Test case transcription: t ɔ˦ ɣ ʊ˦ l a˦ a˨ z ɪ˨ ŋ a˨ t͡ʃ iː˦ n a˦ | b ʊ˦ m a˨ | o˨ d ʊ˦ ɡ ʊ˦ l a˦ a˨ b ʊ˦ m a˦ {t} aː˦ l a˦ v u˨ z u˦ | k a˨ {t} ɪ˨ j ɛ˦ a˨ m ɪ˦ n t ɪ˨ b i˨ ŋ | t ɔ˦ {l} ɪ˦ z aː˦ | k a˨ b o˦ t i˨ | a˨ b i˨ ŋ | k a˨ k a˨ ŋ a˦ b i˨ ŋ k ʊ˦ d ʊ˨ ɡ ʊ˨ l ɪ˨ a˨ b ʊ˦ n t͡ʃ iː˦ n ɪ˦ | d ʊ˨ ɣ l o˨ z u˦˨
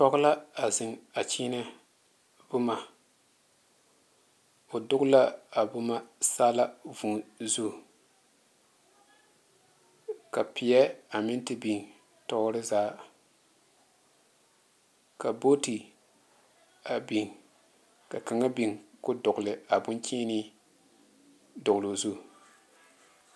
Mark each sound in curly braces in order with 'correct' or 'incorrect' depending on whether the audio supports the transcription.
incorrect, incorrect, incorrect

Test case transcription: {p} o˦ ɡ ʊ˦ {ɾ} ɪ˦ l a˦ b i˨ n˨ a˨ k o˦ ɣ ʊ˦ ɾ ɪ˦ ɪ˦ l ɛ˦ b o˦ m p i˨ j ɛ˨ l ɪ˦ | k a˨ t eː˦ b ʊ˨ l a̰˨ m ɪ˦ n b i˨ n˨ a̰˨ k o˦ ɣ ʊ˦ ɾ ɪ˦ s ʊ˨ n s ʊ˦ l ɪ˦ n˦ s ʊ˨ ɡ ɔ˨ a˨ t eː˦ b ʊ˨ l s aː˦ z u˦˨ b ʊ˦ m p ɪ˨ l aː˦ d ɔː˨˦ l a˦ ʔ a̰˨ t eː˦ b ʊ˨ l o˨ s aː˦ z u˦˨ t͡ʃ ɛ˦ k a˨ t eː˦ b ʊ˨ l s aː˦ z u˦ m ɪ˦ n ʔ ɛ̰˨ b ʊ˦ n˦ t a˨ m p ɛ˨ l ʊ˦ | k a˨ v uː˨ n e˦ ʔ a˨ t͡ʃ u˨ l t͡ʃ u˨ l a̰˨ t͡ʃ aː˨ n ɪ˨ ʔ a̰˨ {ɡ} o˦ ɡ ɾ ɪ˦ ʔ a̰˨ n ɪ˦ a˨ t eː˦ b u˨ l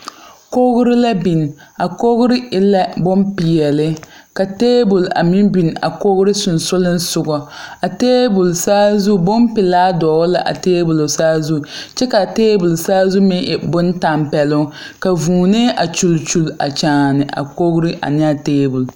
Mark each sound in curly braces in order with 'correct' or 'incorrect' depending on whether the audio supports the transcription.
incorrect, correct, incorrect

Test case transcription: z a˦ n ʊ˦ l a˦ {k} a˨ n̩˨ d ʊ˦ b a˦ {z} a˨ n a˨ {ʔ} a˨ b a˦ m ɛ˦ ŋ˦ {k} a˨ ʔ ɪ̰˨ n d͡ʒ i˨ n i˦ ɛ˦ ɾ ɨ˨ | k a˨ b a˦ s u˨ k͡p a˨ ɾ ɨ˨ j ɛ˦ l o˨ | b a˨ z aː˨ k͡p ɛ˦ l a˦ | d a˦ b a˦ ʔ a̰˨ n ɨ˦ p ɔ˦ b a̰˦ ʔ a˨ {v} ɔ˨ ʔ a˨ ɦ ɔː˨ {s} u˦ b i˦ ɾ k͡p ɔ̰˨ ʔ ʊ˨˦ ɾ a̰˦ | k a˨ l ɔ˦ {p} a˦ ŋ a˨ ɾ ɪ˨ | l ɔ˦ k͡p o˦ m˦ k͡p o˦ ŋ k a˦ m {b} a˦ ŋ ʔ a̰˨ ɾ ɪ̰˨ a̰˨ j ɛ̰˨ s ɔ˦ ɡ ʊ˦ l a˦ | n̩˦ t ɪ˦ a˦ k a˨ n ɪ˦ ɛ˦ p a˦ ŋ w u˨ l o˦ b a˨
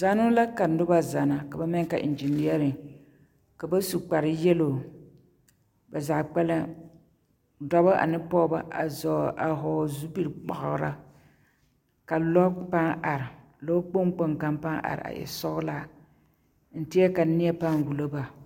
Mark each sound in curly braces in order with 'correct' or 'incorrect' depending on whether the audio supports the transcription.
correct, correct, incorrect, correct, incorrect, incorrect, correct, incorrect

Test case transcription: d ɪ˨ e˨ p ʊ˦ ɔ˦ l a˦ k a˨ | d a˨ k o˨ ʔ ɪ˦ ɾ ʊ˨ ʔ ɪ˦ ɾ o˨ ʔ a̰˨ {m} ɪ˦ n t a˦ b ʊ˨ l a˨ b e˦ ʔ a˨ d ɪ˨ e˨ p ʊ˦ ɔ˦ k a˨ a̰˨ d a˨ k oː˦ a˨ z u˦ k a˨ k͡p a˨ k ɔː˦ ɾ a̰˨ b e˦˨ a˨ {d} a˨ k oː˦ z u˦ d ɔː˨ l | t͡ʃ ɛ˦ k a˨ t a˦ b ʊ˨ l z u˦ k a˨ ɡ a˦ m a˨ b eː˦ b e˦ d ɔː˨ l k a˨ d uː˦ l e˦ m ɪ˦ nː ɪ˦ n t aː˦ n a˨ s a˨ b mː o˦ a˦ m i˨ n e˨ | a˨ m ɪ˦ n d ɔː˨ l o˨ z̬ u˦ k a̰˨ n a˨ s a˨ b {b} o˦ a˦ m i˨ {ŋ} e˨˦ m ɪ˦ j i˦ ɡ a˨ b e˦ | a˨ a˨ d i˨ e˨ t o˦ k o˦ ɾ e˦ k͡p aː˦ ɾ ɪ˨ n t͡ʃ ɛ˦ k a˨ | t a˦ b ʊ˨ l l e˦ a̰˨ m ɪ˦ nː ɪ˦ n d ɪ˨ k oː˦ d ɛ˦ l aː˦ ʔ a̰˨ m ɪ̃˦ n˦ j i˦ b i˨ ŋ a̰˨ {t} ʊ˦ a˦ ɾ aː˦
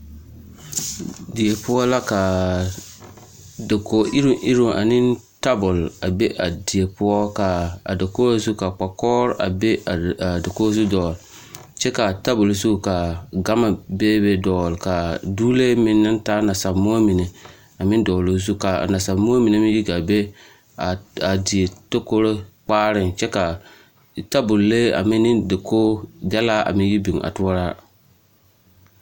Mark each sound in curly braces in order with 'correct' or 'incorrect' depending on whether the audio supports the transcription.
incorrect, correct, incorrect, incorrect, correct

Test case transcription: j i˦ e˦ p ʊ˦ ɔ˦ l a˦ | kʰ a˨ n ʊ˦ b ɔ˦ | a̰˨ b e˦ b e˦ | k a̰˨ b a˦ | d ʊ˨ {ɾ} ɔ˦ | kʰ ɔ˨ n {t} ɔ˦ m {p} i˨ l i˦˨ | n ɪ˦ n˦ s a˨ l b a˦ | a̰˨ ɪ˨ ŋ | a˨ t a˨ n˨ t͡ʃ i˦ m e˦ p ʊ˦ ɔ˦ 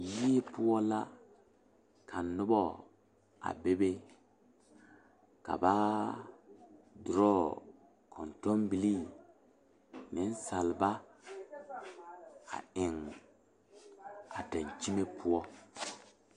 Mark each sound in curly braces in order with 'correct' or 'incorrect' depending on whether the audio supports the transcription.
correct, correct, incorrect

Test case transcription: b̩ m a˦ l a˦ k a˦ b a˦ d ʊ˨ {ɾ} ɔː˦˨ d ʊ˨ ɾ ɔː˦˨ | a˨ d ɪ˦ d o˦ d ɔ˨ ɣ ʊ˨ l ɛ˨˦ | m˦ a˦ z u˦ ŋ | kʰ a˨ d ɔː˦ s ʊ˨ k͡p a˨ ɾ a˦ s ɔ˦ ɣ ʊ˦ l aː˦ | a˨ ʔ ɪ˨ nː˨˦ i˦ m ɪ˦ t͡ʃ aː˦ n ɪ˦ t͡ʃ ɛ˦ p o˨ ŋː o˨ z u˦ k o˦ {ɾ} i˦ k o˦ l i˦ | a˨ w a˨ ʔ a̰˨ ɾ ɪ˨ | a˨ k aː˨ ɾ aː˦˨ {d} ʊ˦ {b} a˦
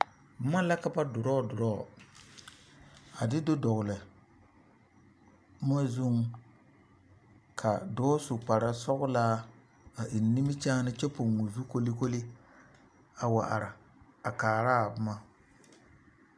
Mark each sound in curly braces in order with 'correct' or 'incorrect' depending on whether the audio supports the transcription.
correct, incorrect, incorrect, incorrect

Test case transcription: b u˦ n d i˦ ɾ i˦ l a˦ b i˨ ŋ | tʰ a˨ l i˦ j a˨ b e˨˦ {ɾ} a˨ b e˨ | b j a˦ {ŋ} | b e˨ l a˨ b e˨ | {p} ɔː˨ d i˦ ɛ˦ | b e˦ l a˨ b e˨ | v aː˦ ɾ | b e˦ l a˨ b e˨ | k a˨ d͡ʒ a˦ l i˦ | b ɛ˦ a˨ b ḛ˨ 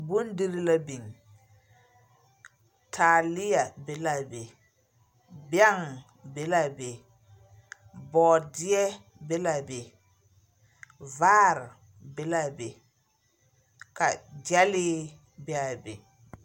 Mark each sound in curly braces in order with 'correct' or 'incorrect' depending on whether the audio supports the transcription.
incorrect, correct, incorrect

